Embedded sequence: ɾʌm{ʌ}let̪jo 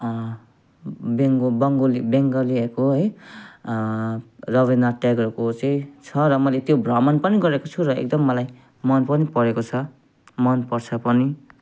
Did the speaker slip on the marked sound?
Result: no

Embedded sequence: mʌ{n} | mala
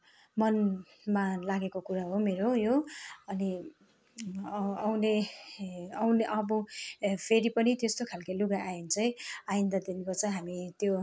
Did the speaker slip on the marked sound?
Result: no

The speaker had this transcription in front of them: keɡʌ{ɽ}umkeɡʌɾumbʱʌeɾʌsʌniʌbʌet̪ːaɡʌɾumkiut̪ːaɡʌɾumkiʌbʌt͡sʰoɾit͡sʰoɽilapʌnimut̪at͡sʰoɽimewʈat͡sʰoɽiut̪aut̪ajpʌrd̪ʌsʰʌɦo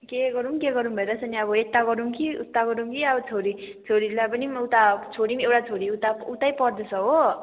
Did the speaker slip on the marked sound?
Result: yes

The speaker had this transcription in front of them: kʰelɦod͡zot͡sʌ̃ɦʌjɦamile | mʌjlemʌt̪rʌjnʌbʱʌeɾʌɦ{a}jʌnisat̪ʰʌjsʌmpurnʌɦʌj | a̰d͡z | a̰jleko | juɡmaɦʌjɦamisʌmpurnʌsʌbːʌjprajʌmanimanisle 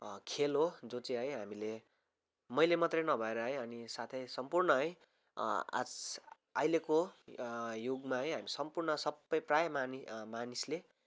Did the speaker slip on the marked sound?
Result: yes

